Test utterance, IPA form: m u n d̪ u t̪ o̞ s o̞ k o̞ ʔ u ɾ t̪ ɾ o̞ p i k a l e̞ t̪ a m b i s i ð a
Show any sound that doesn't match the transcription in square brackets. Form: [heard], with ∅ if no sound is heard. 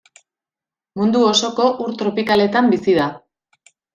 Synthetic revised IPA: m u n d̪ u [∅] o̞ s o̞ k o̞ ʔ u ɾ t̪ ɾ o̞ p i k a l e̞ t̪ a m b i s i ð a